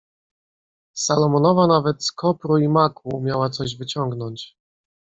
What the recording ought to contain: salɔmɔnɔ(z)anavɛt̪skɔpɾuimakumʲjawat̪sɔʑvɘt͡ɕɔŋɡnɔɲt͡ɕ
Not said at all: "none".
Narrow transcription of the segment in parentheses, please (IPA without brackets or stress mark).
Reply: v